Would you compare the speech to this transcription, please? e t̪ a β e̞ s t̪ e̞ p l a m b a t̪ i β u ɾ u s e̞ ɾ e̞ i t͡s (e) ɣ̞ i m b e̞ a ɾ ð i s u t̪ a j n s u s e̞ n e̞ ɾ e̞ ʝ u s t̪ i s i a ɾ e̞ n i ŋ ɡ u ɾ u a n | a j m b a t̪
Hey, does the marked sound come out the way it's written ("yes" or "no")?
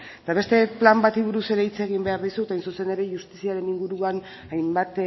yes